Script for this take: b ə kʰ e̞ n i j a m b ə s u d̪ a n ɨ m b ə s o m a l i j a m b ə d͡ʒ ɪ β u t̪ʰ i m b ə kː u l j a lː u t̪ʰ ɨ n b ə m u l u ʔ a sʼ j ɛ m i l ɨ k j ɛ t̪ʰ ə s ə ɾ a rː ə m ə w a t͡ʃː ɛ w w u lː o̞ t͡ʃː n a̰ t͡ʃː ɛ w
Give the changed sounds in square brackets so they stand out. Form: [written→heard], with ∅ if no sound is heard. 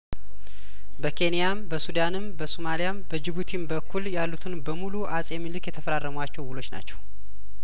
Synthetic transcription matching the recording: b ə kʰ e̞ n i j a m b ə s u d̪ a n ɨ m b ə s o m a l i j a m b ə d͡ʒ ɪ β u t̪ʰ i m b ə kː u l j a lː u t̪ʰ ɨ n b ə m u l u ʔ a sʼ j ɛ m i l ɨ k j ɛ t̪ʰ ə [s→f] ə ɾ a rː ə m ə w a t͡ʃː ɛ w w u [lː→l] o̞ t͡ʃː n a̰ t͡ʃː ɛ w